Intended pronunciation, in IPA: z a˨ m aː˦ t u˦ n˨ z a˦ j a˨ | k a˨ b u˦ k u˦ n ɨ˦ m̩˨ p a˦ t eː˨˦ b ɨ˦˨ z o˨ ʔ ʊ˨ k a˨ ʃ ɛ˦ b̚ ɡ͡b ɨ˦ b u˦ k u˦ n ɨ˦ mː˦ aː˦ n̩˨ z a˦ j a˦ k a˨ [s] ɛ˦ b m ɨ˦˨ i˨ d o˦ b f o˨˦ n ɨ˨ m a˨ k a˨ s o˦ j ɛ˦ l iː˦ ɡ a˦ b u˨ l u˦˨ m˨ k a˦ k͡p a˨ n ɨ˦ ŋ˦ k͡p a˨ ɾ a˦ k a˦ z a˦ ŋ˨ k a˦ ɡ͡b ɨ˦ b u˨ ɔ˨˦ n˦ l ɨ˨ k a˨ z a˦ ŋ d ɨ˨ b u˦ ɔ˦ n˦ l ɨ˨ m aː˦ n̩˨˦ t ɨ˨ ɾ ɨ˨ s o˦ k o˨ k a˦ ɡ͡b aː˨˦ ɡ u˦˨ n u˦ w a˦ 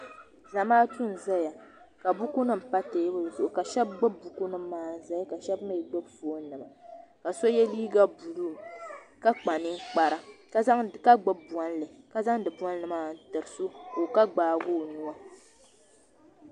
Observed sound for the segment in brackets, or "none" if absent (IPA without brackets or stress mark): ʃ